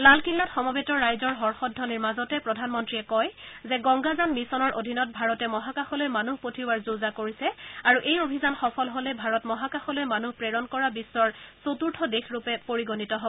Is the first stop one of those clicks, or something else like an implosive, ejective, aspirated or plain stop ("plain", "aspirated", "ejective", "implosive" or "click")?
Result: plain